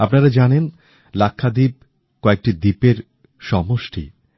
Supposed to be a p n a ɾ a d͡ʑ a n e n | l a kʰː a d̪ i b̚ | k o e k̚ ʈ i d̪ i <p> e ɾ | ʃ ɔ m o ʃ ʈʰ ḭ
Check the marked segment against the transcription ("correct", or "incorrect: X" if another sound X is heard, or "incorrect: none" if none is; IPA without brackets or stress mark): correct